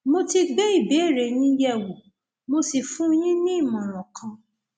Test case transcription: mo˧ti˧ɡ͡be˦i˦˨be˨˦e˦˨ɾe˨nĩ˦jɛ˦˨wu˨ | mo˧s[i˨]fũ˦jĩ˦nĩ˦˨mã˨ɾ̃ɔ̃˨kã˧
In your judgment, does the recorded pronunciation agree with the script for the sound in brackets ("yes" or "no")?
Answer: yes